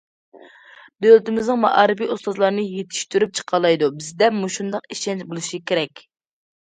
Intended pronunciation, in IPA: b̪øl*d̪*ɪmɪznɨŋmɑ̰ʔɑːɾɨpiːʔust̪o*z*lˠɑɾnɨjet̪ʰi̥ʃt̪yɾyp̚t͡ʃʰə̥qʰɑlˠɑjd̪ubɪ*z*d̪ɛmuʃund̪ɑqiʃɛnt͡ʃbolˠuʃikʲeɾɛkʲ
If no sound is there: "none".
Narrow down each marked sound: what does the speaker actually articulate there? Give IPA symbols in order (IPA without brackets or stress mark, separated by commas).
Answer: t̪, z, z